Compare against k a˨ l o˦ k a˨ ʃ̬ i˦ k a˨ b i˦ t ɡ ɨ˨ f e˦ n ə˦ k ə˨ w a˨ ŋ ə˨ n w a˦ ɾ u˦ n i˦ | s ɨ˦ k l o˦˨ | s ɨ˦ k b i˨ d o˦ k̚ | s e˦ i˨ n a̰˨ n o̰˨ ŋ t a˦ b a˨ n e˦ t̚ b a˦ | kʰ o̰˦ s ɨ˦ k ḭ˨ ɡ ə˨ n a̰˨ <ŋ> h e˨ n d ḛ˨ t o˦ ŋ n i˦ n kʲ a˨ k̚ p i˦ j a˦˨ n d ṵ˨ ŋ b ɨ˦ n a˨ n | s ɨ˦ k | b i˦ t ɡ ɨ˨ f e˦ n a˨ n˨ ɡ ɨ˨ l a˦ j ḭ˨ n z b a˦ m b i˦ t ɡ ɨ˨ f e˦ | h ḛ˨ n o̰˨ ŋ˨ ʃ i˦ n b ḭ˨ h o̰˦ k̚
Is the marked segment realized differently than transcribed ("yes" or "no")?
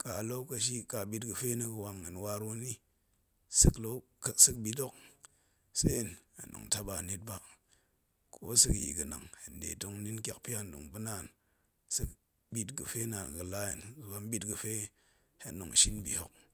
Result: no